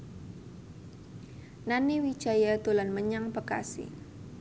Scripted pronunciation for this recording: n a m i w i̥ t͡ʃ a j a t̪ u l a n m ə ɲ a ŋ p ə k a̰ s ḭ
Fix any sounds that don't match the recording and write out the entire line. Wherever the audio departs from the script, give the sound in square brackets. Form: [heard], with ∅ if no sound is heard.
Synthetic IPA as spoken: n a [n] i w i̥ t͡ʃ a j a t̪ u l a n m ə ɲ a ŋ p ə k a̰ s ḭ